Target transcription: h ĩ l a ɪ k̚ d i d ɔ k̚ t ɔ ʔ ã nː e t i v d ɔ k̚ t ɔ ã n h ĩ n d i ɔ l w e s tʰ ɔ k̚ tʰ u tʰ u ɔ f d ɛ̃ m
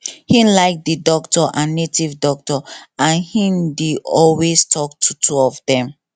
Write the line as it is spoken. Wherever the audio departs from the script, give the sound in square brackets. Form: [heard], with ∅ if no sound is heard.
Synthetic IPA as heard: h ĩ l a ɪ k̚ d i d ɔ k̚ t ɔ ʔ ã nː e t i v d ɔ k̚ t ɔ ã n h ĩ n d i ɔ l w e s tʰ ɔ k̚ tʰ u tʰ u ɔ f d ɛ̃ m